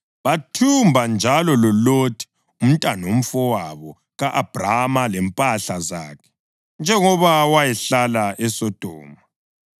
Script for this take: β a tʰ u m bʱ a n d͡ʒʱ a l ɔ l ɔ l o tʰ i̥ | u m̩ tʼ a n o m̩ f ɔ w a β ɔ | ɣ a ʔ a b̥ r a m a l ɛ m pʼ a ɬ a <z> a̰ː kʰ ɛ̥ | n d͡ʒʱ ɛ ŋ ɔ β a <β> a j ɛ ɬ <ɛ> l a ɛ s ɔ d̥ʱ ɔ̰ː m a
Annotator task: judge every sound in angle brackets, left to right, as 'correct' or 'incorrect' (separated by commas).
correct, incorrect, incorrect